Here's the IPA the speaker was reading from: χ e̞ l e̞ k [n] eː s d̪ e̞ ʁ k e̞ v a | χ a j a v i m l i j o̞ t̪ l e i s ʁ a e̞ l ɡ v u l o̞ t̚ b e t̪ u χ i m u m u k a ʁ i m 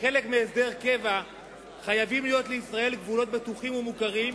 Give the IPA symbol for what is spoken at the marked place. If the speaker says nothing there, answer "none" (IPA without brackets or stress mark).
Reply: m